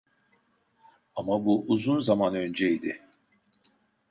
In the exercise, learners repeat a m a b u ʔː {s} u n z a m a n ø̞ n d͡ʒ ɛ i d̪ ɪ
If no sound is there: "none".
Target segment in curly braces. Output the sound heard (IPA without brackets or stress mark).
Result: z